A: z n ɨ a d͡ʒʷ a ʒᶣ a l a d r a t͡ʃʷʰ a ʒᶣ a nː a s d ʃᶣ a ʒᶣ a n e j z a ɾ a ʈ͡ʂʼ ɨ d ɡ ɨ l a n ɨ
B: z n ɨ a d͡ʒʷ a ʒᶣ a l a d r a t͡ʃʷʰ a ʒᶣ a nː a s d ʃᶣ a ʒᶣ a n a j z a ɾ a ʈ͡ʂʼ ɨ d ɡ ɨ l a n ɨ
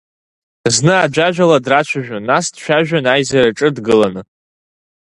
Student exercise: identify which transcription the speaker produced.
B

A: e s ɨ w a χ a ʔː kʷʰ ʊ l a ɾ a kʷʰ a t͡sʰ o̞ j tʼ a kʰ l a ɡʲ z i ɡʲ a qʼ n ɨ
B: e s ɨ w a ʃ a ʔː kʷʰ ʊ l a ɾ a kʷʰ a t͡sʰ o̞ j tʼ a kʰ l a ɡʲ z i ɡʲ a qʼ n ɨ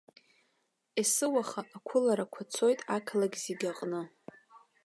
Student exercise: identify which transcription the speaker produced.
A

